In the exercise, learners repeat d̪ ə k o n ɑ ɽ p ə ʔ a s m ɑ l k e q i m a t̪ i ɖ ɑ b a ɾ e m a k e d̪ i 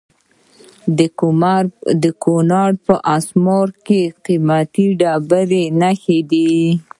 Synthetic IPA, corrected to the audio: d̪ ə k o n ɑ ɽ p ə ʔ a s m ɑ ɾ k e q i m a t̪ i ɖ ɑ b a ɾ e n a x e d̪ i